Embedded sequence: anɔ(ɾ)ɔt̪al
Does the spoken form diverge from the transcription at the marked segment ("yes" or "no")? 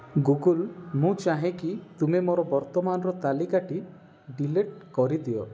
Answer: no